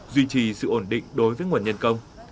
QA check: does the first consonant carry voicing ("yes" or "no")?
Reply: yes